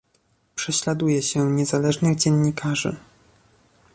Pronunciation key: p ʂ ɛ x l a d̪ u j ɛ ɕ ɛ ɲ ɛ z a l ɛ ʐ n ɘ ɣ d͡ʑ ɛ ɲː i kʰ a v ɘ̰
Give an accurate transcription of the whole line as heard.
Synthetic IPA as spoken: p ʂ ɛ ɕ l a d̪ u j ɛ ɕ ɛ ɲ ɛ z a l ɛ ʐ n ɘ ɣ d͡ʑ ɛ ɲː i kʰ a ʐ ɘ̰